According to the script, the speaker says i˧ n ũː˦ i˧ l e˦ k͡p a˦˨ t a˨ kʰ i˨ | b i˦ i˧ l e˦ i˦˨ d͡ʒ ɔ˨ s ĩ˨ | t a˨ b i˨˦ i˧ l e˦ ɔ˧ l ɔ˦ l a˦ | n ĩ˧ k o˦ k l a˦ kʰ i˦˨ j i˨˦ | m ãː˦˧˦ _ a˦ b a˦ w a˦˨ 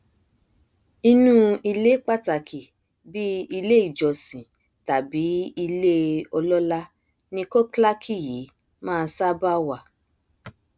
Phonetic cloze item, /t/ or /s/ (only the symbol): s